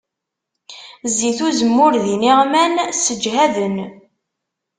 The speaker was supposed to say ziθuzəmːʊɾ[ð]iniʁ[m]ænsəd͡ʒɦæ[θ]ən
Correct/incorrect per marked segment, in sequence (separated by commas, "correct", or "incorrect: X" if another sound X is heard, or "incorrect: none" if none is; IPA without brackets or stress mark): correct, correct, incorrect: ð